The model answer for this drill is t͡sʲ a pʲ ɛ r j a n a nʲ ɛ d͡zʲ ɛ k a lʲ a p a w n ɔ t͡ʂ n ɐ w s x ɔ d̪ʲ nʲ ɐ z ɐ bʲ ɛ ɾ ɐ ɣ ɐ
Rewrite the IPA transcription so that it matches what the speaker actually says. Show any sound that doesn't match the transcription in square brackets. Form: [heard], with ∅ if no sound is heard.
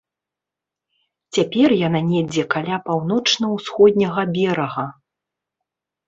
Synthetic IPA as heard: t͡sʲ a pʲ ɛ r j a n a nʲ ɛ d͡zʲ ɛ k a lʲ a p a w n ɔ t͡ʂ n ɐ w s x ɔ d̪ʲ nʲ ɐ [ɣ] ɐ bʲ ɛ ɾ ɐ ɣ ɐ